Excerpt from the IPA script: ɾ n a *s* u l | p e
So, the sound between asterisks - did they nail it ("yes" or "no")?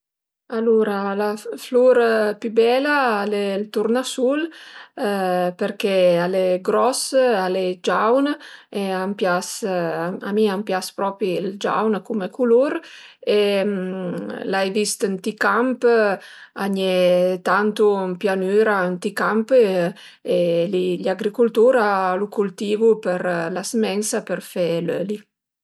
yes